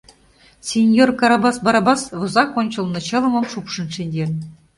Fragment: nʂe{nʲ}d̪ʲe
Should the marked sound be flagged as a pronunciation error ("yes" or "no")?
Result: no